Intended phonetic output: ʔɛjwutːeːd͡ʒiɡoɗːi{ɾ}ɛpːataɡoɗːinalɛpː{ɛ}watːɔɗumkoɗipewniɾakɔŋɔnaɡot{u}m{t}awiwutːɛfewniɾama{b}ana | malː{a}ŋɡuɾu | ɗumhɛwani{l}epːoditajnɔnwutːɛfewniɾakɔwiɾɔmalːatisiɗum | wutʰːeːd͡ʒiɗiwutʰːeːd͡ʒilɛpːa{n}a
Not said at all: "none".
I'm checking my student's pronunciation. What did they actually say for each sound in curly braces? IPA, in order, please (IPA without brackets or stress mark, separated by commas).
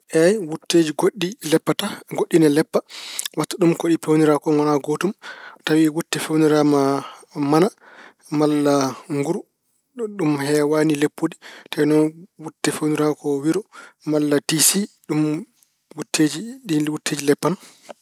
l, a, u, t, m, a, l, n